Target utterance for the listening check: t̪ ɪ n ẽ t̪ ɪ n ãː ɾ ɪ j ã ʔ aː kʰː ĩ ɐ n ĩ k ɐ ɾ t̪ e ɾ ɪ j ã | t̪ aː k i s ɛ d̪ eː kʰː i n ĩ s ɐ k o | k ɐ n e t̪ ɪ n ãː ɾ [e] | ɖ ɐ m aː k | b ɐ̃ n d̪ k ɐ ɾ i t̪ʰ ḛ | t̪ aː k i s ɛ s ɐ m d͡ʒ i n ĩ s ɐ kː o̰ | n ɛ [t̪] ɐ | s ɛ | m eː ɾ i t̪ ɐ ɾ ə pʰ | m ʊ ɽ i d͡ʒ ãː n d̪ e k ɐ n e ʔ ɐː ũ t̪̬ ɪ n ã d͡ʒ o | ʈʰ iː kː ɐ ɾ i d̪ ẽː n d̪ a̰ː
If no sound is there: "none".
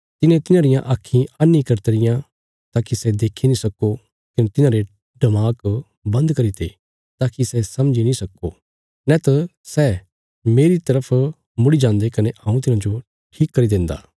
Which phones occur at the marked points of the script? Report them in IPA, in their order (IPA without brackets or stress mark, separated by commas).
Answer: e, t̪